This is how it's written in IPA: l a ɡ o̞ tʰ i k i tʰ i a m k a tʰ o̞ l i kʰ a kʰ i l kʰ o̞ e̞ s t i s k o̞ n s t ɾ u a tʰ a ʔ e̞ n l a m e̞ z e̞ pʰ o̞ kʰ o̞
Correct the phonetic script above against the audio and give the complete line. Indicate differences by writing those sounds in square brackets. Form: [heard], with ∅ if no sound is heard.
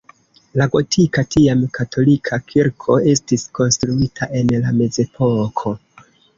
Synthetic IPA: l a ɡ o̞ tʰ i k [a] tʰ i a m k a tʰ o̞ l i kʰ a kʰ i [ɾ] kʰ o̞ e̞ s t i s k o̞ n s t ɾ u [i] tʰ a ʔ e̞ n l a m e̞ z e̞ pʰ o̞ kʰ o̞